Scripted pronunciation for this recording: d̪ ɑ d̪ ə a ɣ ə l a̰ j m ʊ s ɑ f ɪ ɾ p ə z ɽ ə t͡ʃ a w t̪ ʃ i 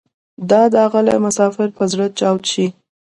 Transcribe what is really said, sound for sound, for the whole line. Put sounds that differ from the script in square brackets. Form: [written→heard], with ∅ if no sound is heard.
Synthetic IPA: d̪ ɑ d̪ ə a ɣ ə l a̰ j m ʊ s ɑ f ɪ ɾ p ə z ɽ ə t͡ʃ [a→ɑ] w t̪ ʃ i